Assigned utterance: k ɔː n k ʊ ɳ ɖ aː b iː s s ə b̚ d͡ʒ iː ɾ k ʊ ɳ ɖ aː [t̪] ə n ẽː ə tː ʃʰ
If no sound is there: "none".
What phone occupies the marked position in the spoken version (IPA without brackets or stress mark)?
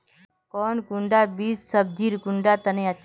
t̪